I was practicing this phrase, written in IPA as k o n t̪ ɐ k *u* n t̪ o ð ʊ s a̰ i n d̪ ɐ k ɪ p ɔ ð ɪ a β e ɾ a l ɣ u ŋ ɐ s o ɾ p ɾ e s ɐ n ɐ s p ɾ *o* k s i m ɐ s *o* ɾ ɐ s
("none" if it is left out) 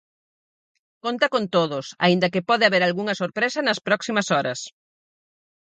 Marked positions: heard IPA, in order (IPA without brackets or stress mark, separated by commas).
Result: o, ɔ, ɔ